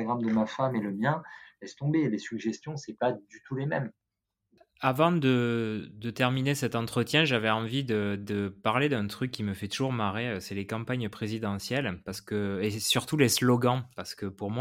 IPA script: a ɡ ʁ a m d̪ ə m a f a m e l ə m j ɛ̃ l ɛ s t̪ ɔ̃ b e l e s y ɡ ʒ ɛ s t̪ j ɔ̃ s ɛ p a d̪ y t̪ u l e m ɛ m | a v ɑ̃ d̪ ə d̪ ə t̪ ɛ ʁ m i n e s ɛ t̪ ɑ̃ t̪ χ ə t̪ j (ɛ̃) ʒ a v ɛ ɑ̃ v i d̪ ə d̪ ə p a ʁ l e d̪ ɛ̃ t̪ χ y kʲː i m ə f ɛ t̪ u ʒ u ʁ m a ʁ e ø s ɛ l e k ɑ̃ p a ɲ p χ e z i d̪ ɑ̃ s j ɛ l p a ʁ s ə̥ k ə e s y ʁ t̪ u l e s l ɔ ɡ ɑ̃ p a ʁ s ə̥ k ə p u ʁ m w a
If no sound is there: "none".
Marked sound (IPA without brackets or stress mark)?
ɛ̃